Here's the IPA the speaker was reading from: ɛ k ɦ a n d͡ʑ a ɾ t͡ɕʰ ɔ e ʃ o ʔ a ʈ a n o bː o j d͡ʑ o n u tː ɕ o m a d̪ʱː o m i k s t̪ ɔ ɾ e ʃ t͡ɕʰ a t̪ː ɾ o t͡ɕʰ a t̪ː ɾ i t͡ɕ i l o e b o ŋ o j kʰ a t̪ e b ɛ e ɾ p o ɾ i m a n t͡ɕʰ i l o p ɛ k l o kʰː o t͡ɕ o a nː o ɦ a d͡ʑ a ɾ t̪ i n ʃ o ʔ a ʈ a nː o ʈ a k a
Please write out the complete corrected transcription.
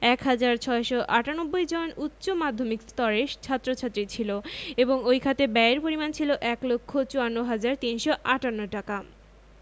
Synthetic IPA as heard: ɛ k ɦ a d͡ʑ a ɾ t͡ɕʰ ɔ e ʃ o ʔ a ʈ a n o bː o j d͡ʑ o n u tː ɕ o m a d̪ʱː o m i k s t̪ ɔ ɾ e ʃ t͡ɕʰ a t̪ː ɾ o t͡ɕʰ a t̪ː ɾ i t͡ɕʰ i l o e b o ŋ o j kʰ a t̪ e b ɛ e ɾ p o ɾ i m a n t͡ɕʰ i l o ʔ ɛ k l o kʰː o t͡ɕ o a nː o ɦ a d͡ʑ a ɾ t̪ i n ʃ o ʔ a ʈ a nː o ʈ a k a